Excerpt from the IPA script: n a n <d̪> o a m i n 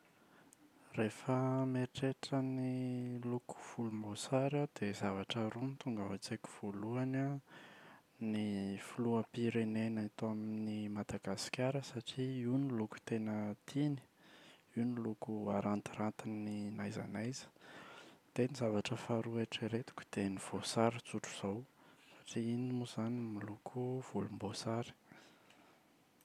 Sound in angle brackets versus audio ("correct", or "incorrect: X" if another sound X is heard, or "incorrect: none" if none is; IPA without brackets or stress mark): incorrect: t̪